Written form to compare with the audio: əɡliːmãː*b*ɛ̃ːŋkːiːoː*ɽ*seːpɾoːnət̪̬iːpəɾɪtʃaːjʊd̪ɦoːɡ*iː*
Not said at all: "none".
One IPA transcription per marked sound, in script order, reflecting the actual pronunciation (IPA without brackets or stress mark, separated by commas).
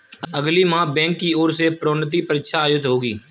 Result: b, ɾ, iː